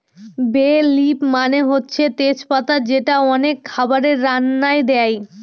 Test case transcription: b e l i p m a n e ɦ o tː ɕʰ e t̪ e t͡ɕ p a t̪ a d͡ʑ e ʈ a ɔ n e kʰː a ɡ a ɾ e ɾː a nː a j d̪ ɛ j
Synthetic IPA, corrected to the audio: b e l i p m a n e ɦ o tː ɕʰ e t̪ e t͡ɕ p a t̪ a d͡ʑ e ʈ a ɔ n e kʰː a b a ɾ e ɾː a nː a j d̪ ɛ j